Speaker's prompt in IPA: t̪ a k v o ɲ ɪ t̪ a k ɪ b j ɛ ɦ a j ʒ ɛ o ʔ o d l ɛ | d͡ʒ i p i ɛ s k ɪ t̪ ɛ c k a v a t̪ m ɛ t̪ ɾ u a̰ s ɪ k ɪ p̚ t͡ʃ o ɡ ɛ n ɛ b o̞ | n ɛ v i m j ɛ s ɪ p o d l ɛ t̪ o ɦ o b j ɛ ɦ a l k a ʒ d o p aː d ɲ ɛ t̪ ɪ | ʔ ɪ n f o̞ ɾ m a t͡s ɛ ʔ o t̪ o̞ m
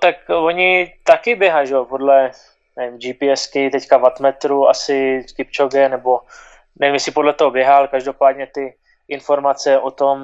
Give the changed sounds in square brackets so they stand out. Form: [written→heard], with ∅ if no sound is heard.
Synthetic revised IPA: t̪ a k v o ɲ ɪ t̪ a k ɪ b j ɛ ɦ a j ʒ ɛ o [ʔ→p] o d l ɛ | d͡ʒ i p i ɛ s k ɪ t̪ ɛ c k a v a t̪ m ɛ t̪ ɾ u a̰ s ɪ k ɪ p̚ t͡ʃ o ɡ ɛ n ɛ b o̞ | n ɛ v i m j ɛ s ɪ p o d l ɛ t̪ o ɦ o b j ɛ ɦ a l k a ʒ d o p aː d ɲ ɛ t̪ ɪ | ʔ ɪ n f o̞ ɾ m a t͡s ɛ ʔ o t̪ o̞ m